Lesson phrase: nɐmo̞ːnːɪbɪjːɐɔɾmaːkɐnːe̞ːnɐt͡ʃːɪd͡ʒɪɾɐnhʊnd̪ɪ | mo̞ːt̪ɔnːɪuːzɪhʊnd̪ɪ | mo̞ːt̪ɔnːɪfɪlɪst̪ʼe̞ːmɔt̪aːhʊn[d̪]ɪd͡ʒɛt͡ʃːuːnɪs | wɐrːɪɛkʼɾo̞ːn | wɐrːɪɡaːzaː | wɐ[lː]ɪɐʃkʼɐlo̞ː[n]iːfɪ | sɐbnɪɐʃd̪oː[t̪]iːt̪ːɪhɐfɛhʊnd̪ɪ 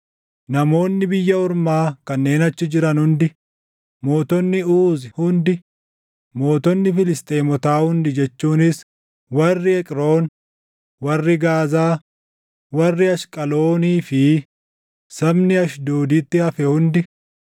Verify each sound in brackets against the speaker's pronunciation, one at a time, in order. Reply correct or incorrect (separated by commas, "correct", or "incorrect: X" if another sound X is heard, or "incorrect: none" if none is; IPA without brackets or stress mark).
correct, incorrect: rː, correct, incorrect: d̪